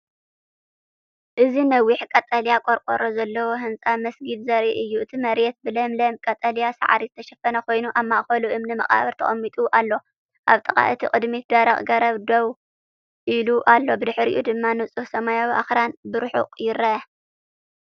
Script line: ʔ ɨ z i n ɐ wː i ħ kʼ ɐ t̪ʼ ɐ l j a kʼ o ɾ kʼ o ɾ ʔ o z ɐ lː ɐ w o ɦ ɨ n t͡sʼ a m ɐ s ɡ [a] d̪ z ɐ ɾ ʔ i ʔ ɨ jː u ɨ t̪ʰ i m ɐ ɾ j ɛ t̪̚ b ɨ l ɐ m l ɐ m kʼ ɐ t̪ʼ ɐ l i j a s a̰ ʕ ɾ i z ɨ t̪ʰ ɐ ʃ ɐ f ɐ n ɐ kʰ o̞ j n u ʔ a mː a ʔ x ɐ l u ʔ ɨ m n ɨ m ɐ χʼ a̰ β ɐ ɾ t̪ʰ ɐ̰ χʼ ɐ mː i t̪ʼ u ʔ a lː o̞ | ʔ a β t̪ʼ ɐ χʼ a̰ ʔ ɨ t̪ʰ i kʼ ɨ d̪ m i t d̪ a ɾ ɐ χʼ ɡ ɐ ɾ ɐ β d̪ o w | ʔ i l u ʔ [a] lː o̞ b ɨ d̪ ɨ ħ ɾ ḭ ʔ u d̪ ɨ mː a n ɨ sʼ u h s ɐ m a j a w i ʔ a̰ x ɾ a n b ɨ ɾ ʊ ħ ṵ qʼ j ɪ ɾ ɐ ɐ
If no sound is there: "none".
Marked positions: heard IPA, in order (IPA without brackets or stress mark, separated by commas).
i, a